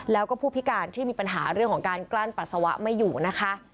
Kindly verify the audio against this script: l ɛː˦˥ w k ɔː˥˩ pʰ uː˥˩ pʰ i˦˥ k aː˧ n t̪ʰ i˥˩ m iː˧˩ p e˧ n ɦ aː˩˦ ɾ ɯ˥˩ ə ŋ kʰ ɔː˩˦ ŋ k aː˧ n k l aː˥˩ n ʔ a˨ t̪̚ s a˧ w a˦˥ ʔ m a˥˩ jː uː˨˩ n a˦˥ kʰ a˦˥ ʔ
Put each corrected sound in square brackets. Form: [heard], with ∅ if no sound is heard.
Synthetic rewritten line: l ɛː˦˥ w k ɔː˥˩ pʰ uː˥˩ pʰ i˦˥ k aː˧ n t̪ʰ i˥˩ m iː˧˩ p [a˧] n ɦ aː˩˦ ɾ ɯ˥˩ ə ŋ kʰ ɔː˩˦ ŋ k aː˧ n k l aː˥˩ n [p] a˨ t̪̚ s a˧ w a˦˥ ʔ m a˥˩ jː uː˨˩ n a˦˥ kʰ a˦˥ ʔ

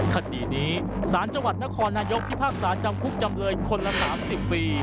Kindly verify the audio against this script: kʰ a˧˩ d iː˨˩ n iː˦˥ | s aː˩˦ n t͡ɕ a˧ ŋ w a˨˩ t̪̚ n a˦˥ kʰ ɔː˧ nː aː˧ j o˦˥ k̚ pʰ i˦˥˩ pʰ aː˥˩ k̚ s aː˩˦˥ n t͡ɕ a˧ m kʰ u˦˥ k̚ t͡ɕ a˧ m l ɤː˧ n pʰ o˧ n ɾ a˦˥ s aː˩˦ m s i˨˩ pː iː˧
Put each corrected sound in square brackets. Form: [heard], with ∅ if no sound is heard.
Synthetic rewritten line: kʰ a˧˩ d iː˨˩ n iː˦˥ | s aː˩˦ n t͡ɕ a˧ ŋ w a˨˩ t̪̚ n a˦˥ kʰ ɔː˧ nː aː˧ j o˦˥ k̚ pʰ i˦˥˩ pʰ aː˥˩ k̚ s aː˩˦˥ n t͡ɕ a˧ m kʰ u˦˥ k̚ t͡ɕ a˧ m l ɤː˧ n [kʰ] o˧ n [l] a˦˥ s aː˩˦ m s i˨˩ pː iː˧

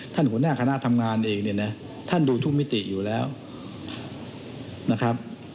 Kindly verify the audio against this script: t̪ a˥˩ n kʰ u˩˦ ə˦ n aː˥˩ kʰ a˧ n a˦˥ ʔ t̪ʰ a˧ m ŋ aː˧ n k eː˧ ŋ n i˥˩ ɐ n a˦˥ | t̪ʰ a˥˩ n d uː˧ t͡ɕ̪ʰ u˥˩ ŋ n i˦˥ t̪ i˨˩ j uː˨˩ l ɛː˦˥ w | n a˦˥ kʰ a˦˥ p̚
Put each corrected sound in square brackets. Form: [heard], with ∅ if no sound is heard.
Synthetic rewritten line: [t̪ʰ] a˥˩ n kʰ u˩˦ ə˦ n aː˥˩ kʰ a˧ n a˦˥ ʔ t̪ʰ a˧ m ŋ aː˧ n [ʔ] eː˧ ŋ n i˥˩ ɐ n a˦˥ | t̪ʰ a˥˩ n d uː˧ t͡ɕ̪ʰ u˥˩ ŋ [m] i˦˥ t̪ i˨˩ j uː˨˩ l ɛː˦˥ w | n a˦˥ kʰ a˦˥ p̚

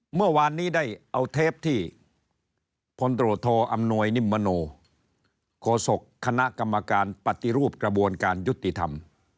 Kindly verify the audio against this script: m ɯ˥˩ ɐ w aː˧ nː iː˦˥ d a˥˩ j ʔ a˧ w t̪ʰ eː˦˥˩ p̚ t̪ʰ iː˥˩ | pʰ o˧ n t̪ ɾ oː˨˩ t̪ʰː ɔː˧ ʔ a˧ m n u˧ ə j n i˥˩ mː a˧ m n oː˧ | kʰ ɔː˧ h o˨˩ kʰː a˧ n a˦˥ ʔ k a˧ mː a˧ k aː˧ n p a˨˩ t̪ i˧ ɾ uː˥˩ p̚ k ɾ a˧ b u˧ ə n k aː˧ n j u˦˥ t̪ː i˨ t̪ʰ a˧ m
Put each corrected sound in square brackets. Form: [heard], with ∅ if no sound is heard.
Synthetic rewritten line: m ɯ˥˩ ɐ w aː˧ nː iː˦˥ d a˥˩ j ʔ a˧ w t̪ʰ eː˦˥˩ p̚ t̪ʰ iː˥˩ | pʰ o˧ n t̪ ɾ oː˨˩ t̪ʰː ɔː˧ ʔ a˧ m n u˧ ə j n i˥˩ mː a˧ [∅] n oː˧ | kʰ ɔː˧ [s] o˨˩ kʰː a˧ n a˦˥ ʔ k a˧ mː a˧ k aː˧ n p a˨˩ t̪ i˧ ɾ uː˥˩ p̚ k ɾ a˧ b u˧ ə n k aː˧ n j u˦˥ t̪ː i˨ t̪ʰ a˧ m

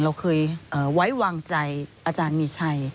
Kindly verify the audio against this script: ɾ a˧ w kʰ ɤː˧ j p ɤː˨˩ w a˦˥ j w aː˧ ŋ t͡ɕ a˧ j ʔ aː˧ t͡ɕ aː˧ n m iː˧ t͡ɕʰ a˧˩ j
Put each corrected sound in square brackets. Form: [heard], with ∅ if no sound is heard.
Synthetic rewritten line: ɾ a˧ w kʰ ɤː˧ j [ʔ] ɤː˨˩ w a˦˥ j w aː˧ ŋ t͡ɕ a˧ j ʔ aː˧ t͡ɕ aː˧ n m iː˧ t͡ɕʰ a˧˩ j

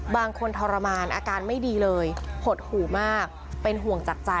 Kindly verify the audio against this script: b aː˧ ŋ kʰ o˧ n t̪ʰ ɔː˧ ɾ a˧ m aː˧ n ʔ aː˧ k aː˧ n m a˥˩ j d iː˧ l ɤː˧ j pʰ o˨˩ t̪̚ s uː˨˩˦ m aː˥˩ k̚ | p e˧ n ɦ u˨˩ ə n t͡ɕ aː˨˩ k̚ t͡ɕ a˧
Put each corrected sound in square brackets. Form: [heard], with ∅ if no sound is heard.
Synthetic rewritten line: b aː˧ ŋ kʰ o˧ n t̪ʰ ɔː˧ ɾ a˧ m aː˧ n ʔ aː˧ k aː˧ n m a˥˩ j d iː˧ l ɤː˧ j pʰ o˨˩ t̪̚ [h] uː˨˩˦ m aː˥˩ k̚ | p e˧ n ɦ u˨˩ ə [ŋ] t͡ɕ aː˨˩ k̚ t͡ɕ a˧

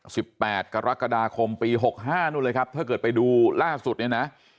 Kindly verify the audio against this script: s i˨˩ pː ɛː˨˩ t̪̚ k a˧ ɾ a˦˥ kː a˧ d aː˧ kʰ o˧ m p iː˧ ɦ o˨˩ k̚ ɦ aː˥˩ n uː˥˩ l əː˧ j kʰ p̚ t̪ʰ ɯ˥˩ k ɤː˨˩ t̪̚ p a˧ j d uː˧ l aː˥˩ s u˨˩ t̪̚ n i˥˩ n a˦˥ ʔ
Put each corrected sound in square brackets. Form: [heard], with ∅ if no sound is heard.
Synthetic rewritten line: s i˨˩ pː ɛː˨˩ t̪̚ k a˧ ɾ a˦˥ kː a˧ d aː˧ kʰ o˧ m p iː˧ ɦ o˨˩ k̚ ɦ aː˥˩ n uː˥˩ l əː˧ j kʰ p̚ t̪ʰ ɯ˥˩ k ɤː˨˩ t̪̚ p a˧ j d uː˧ l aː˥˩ s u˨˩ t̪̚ n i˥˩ n a˦˥ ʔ

